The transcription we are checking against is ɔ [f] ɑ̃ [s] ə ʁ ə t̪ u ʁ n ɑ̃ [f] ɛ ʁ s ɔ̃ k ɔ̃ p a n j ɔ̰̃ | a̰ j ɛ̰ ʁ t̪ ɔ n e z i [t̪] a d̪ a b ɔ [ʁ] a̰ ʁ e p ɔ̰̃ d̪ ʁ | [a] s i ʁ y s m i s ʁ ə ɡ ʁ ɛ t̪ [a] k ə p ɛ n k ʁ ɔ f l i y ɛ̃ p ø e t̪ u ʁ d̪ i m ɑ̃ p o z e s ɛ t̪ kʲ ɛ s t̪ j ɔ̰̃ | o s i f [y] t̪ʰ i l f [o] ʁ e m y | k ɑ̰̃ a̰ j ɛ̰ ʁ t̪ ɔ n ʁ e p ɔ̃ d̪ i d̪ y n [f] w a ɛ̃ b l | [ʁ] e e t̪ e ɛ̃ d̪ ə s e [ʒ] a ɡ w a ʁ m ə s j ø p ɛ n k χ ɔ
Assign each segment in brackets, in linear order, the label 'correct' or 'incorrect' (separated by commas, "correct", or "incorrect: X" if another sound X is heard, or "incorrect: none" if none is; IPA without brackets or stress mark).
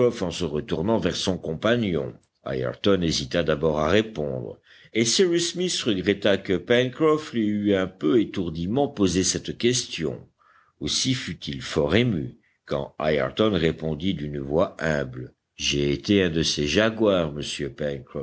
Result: correct, correct, incorrect: v, correct, correct, incorrect: e, correct, correct, incorrect: ɔ, incorrect: v, incorrect: ʒ, correct